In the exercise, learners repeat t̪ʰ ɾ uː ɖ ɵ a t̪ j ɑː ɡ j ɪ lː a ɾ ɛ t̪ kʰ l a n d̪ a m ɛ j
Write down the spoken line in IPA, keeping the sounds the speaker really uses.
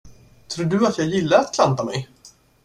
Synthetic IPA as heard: t̪ʰ ɾ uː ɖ ɵ a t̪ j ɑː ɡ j ɪ lː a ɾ a t̪ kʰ l a n t̪ a m ɛ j